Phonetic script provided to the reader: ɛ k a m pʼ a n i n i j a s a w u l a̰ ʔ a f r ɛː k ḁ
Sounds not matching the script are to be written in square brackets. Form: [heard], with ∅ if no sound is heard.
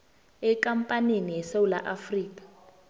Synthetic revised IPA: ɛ k a m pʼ a n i n i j [ɛ] s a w u l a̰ ʔ a f r [iː] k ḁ